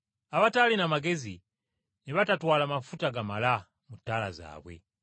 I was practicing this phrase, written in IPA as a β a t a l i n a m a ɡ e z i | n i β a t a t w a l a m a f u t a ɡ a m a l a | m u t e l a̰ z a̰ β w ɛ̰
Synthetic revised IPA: a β a t a l i n a m a ɡ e z i | n i β a t a t w a l a m a f u t a ɡ a m a l a | m u t a l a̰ z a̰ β w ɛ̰